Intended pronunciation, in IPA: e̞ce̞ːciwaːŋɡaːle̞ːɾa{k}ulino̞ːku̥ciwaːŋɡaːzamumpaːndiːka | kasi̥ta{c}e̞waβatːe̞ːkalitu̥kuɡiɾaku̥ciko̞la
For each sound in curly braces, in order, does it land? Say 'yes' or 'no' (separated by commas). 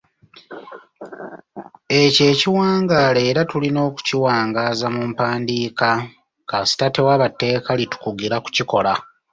no, no